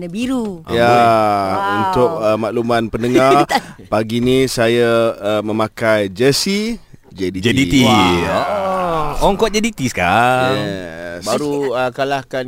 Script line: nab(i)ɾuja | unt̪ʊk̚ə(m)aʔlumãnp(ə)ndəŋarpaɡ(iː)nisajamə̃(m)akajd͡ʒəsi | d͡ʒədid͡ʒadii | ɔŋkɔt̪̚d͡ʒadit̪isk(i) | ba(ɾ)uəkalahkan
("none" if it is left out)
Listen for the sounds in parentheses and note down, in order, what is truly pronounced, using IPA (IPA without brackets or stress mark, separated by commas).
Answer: i, m, ə, i, m, a, ɾ